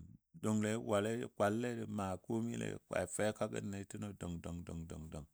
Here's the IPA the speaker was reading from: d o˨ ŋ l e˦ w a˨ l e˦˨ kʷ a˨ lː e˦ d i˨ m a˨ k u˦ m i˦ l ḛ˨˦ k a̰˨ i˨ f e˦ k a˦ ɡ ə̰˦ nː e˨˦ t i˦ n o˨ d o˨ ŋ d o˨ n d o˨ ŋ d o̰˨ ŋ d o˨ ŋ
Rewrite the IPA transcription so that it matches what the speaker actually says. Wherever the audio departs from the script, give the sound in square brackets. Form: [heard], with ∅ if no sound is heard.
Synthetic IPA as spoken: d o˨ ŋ l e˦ w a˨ l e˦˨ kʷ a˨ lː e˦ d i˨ m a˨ k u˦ m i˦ l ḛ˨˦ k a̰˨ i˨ f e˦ k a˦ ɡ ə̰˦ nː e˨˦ t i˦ n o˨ d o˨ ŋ d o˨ [ŋ] d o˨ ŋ d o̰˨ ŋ d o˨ ŋ